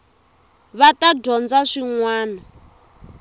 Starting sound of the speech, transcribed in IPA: β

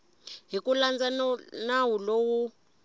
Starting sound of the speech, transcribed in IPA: ɦ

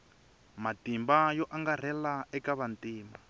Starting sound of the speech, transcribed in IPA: m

